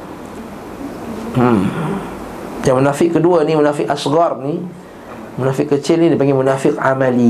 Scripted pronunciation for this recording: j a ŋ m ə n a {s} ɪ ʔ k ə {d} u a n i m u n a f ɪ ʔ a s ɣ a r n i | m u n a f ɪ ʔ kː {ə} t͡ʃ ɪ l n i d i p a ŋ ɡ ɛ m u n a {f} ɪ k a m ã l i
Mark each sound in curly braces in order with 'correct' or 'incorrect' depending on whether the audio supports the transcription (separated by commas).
incorrect, correct, correct, correct